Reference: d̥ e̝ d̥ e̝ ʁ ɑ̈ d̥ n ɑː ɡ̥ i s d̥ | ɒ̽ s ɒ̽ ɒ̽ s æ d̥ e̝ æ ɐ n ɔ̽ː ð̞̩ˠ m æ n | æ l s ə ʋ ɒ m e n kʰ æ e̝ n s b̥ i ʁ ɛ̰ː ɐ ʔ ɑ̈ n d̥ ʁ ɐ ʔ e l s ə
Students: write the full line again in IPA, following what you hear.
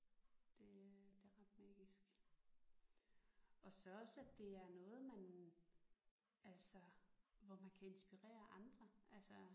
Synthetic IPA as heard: d̥ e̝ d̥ e̝ ʁ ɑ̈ d̥ m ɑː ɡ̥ i s ɡ̥ | ɒ̽ s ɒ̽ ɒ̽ s æ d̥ e̝ æ ɐ n ɔ̽ː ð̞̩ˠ m æ n | æ l s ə ʋ ɒ m æ n kʰ æ e̝ n s b̥ i ʁ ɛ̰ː ɐ ʔ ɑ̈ n d̥ ʁ ɐ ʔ æ l s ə